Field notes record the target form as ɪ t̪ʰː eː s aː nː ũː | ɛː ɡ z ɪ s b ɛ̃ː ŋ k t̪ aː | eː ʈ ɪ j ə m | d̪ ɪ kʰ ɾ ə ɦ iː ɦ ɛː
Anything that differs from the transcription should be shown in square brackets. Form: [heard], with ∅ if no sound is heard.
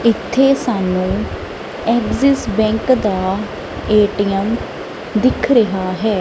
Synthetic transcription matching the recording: ɪ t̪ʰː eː s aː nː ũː | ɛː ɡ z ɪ s b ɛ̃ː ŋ k [d̪] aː | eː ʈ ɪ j ə m | d̪ ɪ kʰ ɾ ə ɦ [aː] ɦ ɛː